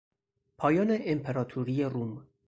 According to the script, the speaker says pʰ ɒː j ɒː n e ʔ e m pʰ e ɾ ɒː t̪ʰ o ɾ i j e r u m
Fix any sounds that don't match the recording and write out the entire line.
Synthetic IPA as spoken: pʰ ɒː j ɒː n e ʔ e m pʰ e ɾ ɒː t̪ʰ u ɾ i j e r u m